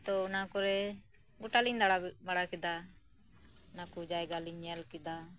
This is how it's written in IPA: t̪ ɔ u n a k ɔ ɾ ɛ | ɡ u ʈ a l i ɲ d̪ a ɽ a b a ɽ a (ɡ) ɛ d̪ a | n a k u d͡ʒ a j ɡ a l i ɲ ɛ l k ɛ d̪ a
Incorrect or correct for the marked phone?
incorrect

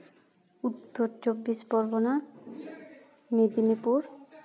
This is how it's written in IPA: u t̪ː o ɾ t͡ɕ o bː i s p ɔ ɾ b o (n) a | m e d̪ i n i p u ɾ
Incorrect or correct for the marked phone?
correct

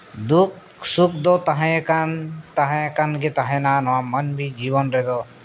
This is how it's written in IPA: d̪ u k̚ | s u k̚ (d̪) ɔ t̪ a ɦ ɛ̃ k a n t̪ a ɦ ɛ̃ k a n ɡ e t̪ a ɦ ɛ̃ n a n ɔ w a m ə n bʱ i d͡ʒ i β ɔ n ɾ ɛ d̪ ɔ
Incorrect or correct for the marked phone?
correct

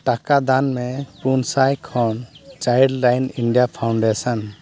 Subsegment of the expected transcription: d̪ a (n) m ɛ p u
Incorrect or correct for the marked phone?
correct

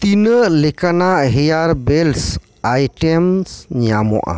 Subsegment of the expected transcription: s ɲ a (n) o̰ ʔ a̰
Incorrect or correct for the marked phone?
incorrect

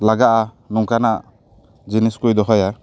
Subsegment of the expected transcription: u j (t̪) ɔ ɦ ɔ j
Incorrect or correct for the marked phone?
incorrect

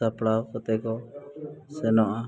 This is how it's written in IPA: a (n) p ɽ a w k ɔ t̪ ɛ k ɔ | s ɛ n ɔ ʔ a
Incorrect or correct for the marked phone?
incorrect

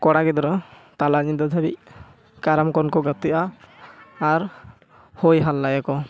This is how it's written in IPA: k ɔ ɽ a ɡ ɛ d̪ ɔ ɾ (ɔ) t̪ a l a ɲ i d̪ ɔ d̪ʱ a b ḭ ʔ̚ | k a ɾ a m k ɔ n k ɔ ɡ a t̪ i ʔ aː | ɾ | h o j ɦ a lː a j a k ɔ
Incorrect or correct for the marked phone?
correct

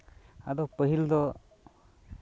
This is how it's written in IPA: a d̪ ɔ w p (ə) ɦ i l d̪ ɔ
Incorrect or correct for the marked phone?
correct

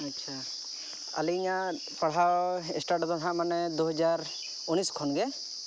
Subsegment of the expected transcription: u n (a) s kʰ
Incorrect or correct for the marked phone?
incorrect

